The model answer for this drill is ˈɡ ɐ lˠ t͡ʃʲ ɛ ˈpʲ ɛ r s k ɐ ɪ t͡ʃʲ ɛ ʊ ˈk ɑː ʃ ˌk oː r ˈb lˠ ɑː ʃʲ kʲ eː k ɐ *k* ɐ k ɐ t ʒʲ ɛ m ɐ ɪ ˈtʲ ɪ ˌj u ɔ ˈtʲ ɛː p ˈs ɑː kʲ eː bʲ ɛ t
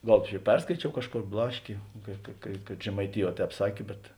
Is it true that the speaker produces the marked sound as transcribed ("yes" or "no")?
yes